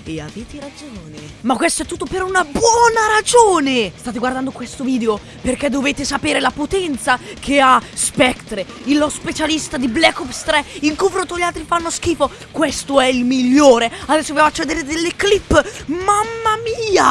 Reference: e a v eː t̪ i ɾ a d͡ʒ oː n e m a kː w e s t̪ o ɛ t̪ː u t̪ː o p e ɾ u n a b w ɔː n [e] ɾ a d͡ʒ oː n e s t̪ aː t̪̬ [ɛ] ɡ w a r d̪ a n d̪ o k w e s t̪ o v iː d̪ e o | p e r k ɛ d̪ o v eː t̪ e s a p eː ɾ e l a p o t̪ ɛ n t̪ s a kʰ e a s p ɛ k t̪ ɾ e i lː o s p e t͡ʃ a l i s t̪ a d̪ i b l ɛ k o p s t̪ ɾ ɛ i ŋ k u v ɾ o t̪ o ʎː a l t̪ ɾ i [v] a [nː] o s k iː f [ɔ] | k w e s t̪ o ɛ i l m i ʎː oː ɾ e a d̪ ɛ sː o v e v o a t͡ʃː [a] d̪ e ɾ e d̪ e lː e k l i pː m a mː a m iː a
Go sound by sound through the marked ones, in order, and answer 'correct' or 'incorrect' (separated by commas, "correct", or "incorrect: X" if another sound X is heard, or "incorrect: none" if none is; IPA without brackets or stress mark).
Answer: incorrect: a, incorrect: e, incorrect: f, correct, incorrect: o, incorrect: e